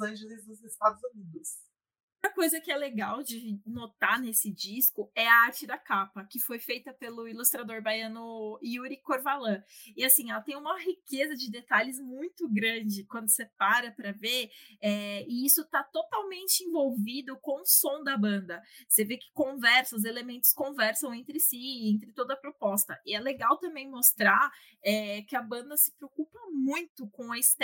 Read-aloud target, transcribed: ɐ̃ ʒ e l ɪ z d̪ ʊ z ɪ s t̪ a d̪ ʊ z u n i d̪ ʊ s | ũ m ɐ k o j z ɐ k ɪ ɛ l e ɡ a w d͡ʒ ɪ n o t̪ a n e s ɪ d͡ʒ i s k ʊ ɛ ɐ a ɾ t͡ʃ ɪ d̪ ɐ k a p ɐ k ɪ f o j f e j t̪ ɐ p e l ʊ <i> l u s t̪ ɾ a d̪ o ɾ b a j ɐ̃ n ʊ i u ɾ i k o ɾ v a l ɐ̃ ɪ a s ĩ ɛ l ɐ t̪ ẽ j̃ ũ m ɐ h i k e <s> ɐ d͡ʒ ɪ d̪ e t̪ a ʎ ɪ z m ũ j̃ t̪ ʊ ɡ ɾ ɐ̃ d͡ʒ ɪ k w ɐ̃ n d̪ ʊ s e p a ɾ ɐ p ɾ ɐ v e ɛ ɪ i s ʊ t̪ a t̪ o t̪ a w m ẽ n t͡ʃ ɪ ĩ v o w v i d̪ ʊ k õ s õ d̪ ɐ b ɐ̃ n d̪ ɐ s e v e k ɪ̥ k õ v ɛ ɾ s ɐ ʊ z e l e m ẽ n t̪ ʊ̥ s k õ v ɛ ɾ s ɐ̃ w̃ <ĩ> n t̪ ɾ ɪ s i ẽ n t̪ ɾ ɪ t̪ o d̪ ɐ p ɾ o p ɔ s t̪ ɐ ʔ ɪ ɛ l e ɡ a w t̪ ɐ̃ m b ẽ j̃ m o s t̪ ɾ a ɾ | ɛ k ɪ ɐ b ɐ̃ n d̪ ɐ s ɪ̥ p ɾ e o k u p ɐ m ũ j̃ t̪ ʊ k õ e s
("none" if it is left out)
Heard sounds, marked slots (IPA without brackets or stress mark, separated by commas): i, z, ẽ